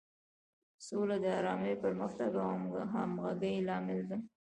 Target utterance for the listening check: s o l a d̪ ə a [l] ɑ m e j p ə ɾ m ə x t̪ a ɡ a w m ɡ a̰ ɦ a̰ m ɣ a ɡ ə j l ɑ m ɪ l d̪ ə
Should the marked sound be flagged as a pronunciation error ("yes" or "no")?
yes